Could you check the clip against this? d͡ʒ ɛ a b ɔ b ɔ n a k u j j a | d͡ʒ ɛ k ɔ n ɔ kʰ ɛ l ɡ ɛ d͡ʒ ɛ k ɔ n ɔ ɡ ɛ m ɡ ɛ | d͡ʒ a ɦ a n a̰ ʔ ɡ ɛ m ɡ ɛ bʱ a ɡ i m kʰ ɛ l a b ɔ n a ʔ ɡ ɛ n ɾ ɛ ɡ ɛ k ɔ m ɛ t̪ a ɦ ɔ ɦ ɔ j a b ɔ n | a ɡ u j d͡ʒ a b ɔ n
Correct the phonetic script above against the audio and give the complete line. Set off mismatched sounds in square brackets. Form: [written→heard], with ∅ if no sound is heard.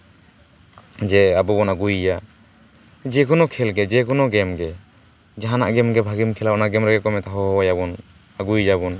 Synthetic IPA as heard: d͡ʒ ɛ a b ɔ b ɔ n a [k→ɡ] u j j a | d͡ʒ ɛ k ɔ n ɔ kʰ ɛ l ɡ ɛ d͡ʒ ɛ k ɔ n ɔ ɡ ɛ m ɡ ɛ | d͡ʒ a ɦ a n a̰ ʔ ɡ ɛ m ɡ ɛ bʱ a ɡ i m kʰ ɛ l a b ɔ n a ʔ ɡ ɛ [n→m] ɾ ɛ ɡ ɛ k ɔ m ɛ t̪ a ɦ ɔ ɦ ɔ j a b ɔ n | a ɡ u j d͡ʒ a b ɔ n